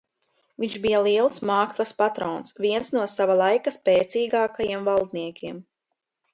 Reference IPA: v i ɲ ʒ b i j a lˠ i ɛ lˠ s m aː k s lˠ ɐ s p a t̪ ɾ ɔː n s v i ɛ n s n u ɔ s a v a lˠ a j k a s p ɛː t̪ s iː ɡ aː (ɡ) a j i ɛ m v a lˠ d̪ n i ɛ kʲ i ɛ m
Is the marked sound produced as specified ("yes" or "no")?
no